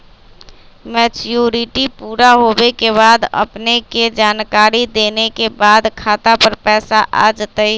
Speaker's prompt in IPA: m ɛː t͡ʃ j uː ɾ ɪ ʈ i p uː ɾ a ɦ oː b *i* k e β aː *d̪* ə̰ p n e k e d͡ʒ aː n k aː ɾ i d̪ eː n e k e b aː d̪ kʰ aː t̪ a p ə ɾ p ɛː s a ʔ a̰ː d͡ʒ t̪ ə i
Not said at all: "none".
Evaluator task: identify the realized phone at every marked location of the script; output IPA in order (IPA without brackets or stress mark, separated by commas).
e, d̪